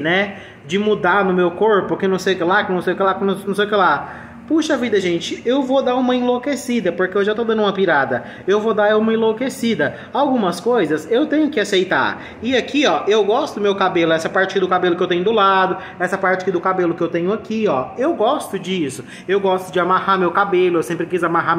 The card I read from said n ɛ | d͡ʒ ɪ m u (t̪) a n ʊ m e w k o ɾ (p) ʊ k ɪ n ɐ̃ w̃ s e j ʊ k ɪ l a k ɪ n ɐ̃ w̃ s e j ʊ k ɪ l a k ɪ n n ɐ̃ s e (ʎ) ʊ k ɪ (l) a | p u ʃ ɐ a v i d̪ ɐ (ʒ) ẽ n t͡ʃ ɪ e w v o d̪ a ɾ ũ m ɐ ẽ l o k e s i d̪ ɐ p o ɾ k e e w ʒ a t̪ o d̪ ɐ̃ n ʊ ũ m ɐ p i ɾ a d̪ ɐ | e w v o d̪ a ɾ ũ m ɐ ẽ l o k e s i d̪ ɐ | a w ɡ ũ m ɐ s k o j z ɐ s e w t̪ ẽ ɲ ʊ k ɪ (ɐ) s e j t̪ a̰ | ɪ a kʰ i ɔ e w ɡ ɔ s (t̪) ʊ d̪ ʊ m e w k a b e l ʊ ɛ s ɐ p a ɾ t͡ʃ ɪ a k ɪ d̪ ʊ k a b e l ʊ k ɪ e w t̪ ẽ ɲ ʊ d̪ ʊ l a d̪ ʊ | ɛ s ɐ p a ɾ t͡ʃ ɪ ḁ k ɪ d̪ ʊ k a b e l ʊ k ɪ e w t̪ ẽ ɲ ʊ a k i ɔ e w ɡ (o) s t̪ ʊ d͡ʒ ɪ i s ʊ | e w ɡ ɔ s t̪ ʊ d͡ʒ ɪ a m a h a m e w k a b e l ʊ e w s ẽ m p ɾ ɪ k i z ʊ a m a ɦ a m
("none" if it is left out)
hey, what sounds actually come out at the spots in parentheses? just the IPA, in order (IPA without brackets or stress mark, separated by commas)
d̪, p, j, l, ʒ, a, t̪, ɔ